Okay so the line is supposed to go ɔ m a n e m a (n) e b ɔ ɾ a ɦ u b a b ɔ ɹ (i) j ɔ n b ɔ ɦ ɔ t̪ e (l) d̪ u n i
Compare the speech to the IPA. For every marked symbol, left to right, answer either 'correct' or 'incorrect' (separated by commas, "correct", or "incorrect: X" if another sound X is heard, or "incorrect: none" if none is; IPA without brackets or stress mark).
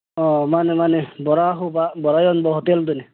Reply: correct, incorrect: a, correct